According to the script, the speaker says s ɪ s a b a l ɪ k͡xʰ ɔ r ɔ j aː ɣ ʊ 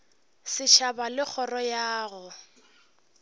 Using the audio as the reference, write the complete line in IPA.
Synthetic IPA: s ɪ ʃ a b a l ɪ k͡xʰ ɔ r ɔ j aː ɣ ʊ